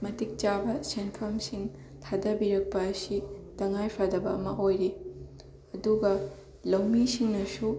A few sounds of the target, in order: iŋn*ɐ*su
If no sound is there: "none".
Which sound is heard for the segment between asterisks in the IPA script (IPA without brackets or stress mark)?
ɐ